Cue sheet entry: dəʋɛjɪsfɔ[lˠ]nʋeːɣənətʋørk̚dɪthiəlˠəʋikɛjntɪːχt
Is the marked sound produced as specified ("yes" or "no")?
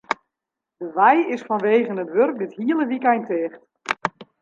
no